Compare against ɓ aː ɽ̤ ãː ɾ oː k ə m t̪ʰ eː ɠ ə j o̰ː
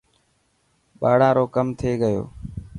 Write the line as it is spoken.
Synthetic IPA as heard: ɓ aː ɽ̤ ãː ɾ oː k ə m t̪ʰ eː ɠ ə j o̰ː